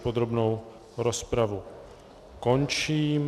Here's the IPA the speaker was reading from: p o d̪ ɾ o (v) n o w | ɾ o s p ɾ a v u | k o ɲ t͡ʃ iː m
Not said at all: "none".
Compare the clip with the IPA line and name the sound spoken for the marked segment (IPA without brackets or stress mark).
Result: b